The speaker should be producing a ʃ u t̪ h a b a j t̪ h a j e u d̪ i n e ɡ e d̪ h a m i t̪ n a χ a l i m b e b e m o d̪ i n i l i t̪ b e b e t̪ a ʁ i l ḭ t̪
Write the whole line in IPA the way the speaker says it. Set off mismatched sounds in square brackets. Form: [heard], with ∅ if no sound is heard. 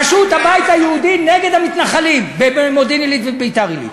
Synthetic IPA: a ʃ u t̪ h a b a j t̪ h a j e u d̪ i n e ɡ e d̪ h a m i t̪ n a χ a l i m b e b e m o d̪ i n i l i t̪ [v] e b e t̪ a ʁ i l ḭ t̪